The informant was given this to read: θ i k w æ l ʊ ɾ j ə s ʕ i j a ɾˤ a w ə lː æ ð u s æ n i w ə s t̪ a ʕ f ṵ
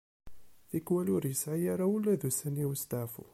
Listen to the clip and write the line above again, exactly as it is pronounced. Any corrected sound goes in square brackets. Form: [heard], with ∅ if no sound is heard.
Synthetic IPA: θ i k w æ l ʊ ɾ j ə s ʕ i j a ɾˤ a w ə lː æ ð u s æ n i w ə s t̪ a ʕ f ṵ

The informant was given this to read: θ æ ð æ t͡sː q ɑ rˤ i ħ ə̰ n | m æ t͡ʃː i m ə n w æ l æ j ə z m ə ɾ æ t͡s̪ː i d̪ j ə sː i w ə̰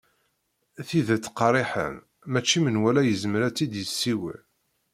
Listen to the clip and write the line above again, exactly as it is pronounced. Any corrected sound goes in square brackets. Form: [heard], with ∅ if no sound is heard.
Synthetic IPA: θ [i] ð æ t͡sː q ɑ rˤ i ħ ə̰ [m] | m æ t͡ʃː i m ə n w æ l æ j ə z m ə ɾ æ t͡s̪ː i d̪ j ə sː i w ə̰

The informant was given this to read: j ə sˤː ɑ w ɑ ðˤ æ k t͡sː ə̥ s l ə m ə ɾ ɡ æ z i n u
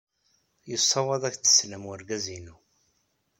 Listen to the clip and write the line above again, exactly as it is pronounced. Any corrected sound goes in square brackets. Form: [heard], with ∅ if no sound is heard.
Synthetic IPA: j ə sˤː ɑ w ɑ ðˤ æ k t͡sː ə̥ s l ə m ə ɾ ɡ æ z i n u

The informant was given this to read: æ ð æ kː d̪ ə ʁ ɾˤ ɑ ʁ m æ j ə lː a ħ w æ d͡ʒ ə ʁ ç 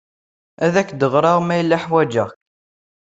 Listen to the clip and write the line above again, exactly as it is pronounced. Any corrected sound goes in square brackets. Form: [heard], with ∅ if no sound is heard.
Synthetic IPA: æ ð æ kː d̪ ə ʁ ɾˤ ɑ ʁ m æ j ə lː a ħ w æ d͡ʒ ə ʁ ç

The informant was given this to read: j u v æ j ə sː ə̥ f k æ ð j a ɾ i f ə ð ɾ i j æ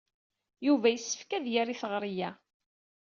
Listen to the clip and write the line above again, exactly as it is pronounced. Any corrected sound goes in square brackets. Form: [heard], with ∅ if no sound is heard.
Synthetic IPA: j u v æ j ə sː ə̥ f k æ ð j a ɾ i [θ] ə [ʁ] ɾ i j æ

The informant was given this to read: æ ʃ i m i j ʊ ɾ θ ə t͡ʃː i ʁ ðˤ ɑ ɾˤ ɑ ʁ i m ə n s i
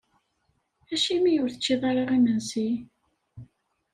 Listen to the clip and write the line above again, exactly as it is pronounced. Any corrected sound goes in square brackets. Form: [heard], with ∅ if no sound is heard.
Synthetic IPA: æ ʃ i m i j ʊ ɾ θ ə t͡ʃː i [∅] ðˤ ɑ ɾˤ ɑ ʁ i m ə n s i

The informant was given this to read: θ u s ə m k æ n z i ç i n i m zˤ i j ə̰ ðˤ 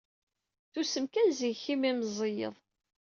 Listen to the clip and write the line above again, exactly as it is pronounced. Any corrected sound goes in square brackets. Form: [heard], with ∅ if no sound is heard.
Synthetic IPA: θ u s ə m k æ n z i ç i [m] i m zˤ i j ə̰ ðˤ

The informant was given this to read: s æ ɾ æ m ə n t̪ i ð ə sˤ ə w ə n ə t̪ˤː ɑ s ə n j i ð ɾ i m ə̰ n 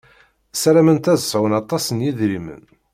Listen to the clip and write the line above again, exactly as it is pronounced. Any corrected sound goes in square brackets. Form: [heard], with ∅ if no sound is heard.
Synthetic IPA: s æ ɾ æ m ə n t̪ [æ] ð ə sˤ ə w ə n [ɑ] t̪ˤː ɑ s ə n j i ð ɾ i m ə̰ n

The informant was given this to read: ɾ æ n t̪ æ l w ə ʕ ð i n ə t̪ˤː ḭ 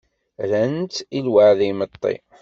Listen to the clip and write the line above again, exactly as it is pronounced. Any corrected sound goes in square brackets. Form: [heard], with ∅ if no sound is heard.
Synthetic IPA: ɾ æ n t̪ [i] l w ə ʕ ð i [m] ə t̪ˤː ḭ

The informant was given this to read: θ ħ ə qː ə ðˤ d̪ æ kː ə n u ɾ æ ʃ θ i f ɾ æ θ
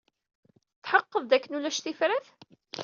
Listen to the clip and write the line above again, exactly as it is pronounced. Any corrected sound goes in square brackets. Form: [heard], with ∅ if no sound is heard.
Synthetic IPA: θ ħ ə qː ə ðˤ d̪ æ kː ə n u [l] æ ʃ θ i f ɾ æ θ

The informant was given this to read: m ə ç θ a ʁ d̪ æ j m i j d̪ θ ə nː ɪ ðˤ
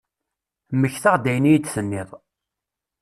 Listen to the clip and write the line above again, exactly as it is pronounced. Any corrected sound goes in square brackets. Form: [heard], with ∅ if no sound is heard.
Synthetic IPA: m ə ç θ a ʁ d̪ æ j [n] i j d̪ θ ə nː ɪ ðˤ

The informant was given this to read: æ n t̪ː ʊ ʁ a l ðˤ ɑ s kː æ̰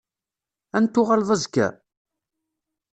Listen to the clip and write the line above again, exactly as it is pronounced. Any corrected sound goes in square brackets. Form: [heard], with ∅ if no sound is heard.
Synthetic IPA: æ n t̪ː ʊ ʁ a l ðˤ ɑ [z] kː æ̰

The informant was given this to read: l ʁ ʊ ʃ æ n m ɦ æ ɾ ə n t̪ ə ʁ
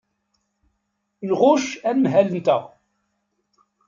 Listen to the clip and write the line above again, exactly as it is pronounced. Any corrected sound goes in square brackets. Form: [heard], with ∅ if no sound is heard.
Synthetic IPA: l ʁ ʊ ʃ æ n m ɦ æ [l] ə n t̪ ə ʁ

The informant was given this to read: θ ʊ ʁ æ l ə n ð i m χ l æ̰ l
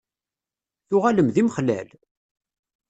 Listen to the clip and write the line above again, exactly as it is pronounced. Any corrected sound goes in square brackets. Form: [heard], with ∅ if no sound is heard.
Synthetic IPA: θ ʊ ʁ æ l ə [m] ð i m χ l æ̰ l

